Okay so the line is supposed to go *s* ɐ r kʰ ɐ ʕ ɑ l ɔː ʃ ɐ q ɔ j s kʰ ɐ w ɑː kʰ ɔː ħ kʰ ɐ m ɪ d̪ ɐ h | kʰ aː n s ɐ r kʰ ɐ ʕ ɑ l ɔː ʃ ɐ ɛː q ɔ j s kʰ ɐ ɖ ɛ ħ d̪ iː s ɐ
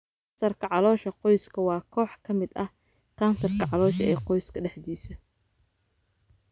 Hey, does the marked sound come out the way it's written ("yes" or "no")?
yes